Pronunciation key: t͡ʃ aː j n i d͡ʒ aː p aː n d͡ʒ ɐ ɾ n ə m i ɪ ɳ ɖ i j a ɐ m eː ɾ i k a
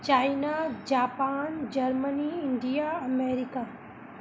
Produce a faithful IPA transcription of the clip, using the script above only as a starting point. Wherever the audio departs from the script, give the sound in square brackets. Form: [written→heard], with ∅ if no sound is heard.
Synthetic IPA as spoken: t͡ʃ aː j n [i→a] d͡ʒ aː p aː n d͡ʒ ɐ ɾ [n→m] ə [m→n] i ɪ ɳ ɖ i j a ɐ m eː ɾ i k a